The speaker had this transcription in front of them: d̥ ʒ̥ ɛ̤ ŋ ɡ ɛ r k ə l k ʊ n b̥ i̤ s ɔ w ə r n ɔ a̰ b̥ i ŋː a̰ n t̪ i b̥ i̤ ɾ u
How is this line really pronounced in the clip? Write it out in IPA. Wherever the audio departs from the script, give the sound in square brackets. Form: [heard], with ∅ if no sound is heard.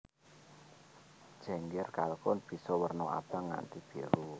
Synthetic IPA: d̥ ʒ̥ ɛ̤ ŋ ɡ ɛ r k [a] l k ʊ n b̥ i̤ s ɔ w ə r n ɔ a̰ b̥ [a] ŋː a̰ n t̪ i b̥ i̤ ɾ u